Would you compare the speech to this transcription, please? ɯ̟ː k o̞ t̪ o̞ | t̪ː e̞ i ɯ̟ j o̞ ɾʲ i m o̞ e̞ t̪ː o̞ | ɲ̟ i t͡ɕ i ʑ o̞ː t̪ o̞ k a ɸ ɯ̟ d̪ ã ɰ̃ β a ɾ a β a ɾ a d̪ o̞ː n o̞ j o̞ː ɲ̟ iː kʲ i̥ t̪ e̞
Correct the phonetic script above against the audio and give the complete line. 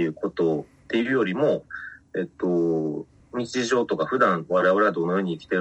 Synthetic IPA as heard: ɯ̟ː k o̞ t̪ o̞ | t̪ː e̞ i ɯ̟ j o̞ ɾʲ i m o̞ e̞ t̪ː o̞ | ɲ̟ i t͡ɕ i ʑ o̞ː t̪ o̞ k a ɸ ɯ̟ d̪ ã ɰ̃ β a ɾ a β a ɾ a d̪ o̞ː n o̞ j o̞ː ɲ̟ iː kʲ i̥ t̪ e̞